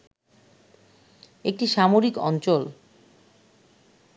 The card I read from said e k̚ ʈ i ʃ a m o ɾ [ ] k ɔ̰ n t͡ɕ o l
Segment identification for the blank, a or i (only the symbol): i